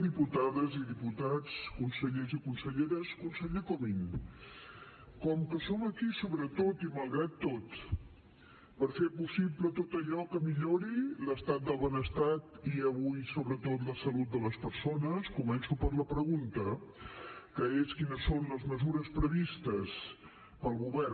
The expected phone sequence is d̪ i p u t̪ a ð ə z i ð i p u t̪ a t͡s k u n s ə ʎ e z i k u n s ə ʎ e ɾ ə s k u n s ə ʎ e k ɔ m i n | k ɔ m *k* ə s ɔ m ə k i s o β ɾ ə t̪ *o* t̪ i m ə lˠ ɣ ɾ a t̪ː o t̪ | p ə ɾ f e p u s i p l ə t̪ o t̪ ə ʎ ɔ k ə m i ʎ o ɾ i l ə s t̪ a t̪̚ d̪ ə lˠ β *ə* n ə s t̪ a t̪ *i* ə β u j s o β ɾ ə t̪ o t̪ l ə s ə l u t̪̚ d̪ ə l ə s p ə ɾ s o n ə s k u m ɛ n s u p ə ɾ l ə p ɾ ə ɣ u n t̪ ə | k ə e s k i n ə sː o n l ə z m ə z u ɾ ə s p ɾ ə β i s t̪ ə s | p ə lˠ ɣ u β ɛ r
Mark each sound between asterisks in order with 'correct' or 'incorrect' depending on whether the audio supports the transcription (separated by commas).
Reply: correct, correct, correct, correct